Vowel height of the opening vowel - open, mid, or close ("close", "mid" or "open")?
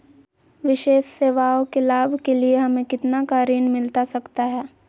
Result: close